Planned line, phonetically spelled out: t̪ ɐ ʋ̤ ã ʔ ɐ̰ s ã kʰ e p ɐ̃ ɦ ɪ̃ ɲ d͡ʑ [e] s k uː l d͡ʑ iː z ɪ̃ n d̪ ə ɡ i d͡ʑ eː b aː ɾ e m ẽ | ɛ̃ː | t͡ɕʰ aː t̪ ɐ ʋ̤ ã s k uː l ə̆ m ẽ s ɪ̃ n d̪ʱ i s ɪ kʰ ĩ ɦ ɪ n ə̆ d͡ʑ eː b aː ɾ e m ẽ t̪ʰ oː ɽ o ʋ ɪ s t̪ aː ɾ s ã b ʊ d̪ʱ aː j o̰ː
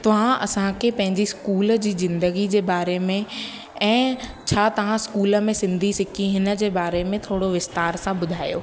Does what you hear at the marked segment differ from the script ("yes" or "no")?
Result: yes